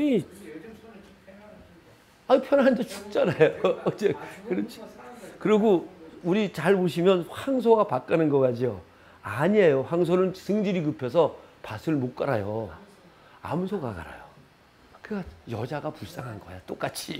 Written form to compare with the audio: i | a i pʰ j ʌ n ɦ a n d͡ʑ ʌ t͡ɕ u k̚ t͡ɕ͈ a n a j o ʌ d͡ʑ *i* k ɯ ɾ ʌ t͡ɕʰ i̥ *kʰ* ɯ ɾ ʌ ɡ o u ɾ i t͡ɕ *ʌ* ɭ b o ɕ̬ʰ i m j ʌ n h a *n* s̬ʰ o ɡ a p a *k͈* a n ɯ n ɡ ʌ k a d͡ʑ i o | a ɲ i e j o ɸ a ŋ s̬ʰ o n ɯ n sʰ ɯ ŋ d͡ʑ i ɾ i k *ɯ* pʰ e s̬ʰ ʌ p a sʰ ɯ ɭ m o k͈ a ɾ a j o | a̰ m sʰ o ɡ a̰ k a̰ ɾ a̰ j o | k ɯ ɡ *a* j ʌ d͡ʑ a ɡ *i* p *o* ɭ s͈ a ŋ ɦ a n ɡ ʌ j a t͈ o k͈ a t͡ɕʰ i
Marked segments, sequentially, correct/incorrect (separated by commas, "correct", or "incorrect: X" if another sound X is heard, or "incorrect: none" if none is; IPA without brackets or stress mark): incorrect: e, incorrect: k, incorrect: a, incorrect: ŋ, correct, correct, correct, incorrect: a, incorrect: u